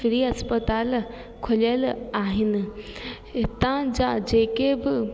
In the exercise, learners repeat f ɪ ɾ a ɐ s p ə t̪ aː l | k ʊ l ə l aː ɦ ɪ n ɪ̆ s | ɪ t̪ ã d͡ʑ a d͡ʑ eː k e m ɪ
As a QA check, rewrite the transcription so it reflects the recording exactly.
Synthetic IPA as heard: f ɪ ɾ i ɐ s p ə t̪ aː l | kʰ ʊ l ə l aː ɦ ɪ n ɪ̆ | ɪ t̪ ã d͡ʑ a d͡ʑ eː k e b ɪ